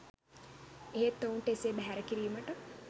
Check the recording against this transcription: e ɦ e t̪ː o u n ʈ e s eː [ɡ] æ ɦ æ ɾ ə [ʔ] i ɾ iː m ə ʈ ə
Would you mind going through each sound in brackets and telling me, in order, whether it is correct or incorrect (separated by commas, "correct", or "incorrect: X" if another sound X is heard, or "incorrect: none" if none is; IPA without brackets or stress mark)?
incorrect: b, incorrect: k